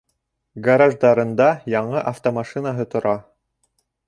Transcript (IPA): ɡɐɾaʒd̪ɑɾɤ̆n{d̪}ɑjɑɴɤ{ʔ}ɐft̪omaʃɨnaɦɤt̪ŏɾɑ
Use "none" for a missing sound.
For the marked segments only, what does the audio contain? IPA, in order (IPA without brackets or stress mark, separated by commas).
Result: d̪, ʔ